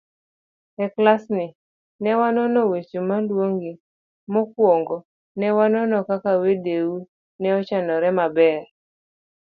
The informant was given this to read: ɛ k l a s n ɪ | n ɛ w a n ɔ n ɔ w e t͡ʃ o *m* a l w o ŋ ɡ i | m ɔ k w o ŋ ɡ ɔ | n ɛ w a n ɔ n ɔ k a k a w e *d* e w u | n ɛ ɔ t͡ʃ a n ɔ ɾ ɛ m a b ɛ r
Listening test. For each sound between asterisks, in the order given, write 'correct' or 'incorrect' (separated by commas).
correct, correct